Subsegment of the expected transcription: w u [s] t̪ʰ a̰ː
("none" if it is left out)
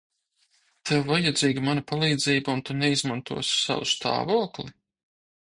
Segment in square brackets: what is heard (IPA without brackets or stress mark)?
s